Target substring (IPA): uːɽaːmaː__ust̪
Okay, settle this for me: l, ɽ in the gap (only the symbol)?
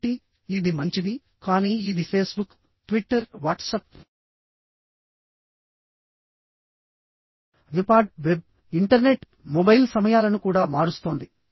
ɽ